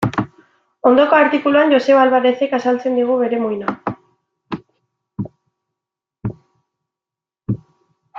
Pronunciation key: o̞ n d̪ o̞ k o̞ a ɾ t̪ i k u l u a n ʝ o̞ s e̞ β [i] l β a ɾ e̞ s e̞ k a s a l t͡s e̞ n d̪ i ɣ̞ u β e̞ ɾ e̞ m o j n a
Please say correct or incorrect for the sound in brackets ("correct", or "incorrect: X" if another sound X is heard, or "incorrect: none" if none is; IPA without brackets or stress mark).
incorrect: a